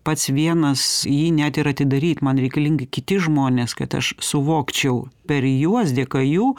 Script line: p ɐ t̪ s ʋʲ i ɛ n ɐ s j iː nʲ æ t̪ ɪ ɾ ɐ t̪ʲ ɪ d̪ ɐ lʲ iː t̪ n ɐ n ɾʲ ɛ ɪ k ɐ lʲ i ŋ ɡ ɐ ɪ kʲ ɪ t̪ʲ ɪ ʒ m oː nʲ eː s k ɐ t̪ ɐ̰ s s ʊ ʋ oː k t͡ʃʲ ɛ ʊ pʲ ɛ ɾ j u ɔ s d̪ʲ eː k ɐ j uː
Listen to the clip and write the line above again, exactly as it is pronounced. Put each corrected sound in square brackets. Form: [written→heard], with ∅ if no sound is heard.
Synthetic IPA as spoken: p ɐ t̪ s ʋʲ i ɛ n ɐ s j iː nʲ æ t̪ ɪ ɾ ɐ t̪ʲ ɪ d̪ ɐ [lʲ→ɾʲ] iː t̪ [n→m] ɐ n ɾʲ ɛ ɪ k ɐ lʲ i ŋ ɡ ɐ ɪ kʲ ɪ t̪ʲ ɪ ʒ m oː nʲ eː s k ɐ t̪ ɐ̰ [s→ʃ] s ʊ ʋ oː k t͡ʃʲ ɛ ʊ pʲ ɛ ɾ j u ɔ s d̪ʲ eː k ɐ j uː